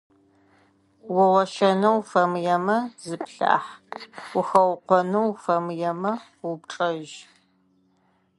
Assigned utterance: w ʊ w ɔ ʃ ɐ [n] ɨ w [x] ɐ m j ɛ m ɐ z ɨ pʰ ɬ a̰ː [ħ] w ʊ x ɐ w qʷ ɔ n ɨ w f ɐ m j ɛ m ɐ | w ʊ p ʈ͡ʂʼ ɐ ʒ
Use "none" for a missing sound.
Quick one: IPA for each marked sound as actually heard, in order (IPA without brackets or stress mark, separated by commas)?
n, f, ħ